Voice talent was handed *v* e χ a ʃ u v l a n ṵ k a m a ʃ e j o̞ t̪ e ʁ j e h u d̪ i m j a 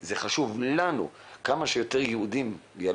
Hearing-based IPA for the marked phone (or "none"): z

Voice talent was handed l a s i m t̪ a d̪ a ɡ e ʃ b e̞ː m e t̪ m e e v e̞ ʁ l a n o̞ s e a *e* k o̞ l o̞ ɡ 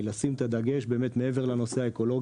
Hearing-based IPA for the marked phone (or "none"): e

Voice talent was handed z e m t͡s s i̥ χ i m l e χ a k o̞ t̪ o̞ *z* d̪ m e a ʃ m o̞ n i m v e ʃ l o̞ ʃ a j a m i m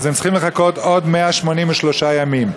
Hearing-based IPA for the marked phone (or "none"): none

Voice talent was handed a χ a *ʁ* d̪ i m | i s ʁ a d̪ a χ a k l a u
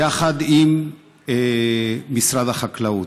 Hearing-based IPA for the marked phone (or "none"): none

